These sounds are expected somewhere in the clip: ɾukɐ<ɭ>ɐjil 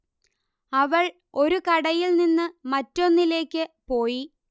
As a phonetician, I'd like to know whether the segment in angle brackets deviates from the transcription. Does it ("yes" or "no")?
yes